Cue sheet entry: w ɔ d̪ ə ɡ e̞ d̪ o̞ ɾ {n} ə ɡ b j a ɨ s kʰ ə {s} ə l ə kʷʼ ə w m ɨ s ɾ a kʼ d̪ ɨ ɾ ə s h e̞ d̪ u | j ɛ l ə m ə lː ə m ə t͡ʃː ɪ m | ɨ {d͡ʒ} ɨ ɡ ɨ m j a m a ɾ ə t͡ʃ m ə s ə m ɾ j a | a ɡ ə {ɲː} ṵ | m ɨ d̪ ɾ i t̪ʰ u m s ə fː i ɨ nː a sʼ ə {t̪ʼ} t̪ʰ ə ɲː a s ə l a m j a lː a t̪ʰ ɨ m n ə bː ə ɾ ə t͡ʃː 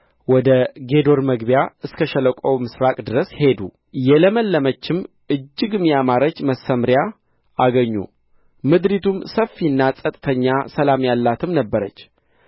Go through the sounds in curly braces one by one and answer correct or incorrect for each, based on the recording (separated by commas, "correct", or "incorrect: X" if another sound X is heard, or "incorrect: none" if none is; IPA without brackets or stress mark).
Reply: incorrect: m, incorrect: ʃ, incorrect: d͡ʒː, correct, correct